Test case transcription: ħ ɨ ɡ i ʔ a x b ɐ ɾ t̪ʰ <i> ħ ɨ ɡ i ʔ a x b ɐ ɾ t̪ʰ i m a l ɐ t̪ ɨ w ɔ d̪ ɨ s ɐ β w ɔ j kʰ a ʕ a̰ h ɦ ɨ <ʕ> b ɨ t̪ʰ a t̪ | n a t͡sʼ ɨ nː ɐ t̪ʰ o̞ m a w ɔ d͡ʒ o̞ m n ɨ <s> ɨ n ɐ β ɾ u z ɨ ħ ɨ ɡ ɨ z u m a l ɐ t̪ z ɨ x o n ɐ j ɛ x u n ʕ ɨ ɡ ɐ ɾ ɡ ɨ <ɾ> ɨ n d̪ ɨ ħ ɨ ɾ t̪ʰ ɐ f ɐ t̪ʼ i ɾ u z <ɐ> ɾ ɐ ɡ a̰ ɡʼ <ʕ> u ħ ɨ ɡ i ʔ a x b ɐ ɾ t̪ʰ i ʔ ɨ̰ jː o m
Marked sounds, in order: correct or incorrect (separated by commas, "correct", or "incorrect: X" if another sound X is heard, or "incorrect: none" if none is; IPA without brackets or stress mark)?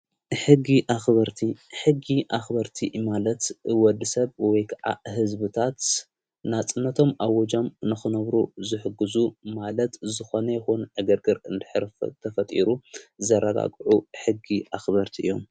correct, incorrect: z, incorrect: x, correct, correct, correct